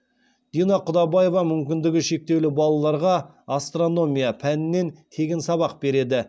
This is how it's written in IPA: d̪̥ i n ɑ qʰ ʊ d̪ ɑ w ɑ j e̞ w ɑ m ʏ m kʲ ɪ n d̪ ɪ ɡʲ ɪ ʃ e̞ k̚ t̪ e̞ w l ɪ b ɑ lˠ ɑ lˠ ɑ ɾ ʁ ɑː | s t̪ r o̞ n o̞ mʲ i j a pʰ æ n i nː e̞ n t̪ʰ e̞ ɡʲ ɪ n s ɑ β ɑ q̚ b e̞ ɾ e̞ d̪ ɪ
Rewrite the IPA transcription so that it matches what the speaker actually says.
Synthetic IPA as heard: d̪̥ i n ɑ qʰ ʊ d̪ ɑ b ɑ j e̞ v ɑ m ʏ m kʲ ɪ n d̪ ɪ ɡʲ ɪ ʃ e̞ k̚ t̪ e̞ w l ɪ b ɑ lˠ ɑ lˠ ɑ ɾ ʁ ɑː | s t̪ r o̞ n o̞ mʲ i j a pʰ æ n ɪ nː e̞ n t̪ʰ e̞ ɡʲ ɪ n s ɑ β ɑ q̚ b e̞ ɾ e̞ d̪ ɪ

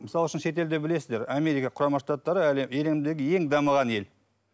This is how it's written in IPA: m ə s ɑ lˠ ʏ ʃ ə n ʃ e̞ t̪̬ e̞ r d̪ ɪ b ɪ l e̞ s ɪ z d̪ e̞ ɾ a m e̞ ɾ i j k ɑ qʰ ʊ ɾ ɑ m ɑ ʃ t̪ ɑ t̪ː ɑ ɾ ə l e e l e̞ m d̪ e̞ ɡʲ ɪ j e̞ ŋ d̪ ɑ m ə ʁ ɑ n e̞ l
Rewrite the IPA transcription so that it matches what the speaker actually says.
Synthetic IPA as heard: m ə s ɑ lˠ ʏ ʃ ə n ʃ e̞ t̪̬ e̞ l d̪ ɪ b ɪ l e̞ s ɪ z d̪ e̞ ɾ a m e̞ ɾ i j k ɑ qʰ ʊ ɾ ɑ m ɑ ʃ t̪ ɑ t̪ː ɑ ɾ ə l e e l e̞ m d̪ e̞ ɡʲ ɪ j e̞ ŋ d̪ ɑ m ə ʁ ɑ n e̞ l

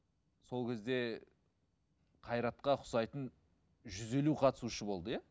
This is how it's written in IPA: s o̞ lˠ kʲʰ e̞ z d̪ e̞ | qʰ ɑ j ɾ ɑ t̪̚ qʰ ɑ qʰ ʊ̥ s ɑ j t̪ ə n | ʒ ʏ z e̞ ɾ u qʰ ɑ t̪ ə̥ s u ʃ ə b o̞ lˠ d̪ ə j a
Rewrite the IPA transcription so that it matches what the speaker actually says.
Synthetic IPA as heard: s o̞ lˠ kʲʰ e̞ z d̪ e̞ | qʰ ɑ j ɾ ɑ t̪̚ q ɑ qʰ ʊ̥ s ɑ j t̪ ə n | ʒ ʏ z e̞ l u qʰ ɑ t̪ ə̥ s u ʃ ə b o̞ lˠ d̪ ə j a

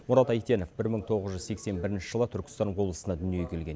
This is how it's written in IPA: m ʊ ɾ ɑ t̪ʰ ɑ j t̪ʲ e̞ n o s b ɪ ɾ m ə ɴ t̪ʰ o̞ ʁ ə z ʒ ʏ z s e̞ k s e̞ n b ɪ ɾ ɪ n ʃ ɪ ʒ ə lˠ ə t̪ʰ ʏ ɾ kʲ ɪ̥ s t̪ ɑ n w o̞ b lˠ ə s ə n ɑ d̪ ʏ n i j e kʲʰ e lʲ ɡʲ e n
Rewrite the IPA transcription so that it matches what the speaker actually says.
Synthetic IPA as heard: m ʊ ɾ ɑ t̪ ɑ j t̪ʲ e̞ n o f b ɪ ɾ m ə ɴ t̪ʰ o̞ ʁ ə z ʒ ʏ z s e̞ k s e̞ n b ɪ ɾ ɪ n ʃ ɪ ʒ ə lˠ ə t̪ʰ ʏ ɾ kʲ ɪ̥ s t̪ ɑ n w o̞ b lˠ ə s ə n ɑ d̪ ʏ n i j e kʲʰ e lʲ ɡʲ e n

